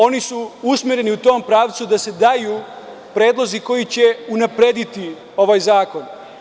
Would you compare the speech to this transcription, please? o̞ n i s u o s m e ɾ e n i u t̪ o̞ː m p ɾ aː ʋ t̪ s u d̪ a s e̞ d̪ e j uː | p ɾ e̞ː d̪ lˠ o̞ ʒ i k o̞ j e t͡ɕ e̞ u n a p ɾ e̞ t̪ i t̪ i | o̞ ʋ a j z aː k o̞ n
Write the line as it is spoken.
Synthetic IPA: o̞ n i s u u s m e ɾ e n i u t̪ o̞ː m p ɾ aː ʋ t̪ s u d̪ a s e̞ d̪ a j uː | p ɾ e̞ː d̪ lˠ o̞ z i k o̞ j i t͡ɕ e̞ u n a p ɾ e̞ d̪ i t̪ i | o̞ ʋ a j z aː k o̞ n